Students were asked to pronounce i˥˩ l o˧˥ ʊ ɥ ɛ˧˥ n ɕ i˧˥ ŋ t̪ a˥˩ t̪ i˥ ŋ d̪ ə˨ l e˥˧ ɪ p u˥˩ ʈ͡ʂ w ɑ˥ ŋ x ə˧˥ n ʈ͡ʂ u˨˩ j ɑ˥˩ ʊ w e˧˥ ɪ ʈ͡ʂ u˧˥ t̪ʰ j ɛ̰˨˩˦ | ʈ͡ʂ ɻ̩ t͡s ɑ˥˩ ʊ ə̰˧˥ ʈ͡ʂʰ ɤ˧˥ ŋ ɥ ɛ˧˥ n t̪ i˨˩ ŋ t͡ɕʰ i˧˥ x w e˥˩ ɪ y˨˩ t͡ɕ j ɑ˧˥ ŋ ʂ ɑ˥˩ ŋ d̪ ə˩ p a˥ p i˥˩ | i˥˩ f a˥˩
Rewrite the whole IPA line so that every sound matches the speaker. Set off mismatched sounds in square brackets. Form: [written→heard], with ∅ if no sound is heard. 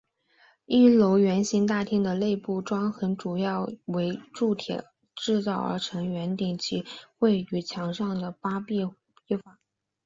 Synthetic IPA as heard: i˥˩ l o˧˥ ʊ ɥ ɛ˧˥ n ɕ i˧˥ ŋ t̪ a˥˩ [t̪→t̪ʰ] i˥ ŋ d̪ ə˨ l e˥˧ ɪ p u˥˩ ʈ͡ʂ w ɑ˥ ŋ x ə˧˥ n ʈ͡ʂ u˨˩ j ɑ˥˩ ʊ w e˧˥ ɪ ʈ͡ʂ [u˧˥→u˥˩] t̪ʰ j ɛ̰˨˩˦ | ʈ͡ʂ ɻ̩ t͡s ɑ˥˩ ʊ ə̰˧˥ ʈ͡ʂʰ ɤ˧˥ ŋ ɥ ɛ˧˥ n t̪ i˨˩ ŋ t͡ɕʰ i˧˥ x w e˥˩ ɪ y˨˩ [t͡ɕ→t͡ɕʰ] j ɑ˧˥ ŋ ʂ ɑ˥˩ ŋ d̪ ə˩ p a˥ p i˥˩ | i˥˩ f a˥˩